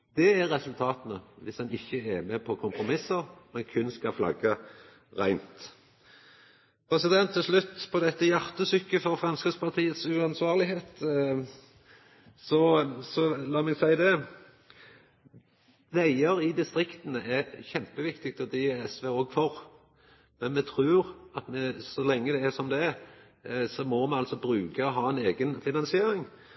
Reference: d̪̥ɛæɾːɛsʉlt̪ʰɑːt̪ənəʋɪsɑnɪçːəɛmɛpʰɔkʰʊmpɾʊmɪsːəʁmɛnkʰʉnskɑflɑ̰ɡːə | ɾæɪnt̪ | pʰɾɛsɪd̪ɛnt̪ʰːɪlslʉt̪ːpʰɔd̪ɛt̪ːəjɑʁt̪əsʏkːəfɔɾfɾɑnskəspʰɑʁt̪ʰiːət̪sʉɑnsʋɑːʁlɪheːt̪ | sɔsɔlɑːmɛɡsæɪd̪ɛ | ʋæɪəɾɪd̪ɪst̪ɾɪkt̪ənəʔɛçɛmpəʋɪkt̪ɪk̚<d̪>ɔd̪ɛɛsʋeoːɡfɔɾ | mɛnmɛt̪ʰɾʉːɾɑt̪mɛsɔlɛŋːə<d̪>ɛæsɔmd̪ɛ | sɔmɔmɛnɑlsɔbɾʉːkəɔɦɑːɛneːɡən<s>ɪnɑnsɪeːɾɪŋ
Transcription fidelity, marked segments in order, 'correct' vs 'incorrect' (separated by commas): incorrect, correct, incorrect